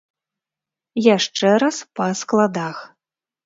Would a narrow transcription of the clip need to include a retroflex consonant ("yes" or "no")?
yes